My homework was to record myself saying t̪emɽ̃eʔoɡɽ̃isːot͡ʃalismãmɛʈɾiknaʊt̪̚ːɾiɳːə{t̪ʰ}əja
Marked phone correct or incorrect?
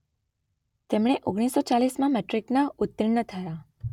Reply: correct